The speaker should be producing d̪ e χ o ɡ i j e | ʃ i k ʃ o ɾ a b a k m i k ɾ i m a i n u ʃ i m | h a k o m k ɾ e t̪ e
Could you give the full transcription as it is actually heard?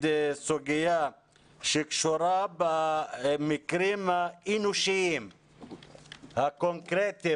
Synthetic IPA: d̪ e s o ɡ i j a | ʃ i k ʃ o ɾ a b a m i k ɾ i m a i n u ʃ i m | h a k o ŋ k ɾ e t̪ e